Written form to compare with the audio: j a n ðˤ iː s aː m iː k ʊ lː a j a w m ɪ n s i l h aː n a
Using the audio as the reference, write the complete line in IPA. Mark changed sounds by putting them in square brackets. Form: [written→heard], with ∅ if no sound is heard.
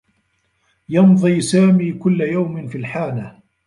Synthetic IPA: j [a→ɑ] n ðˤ iː s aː m iː k ʊ lː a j a w m ɪ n [s→f] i l [h→ħ] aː n a